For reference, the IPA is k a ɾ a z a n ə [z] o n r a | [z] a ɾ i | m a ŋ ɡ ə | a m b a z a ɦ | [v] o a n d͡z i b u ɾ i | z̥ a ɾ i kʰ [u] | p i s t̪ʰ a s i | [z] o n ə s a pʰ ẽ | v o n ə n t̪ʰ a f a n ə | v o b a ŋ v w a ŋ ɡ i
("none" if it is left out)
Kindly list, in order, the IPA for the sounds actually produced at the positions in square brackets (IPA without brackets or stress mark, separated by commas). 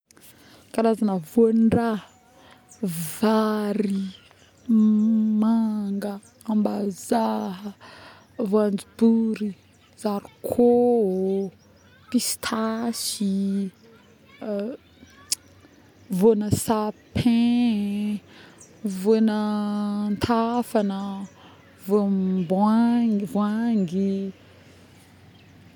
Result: v, v, v, o, v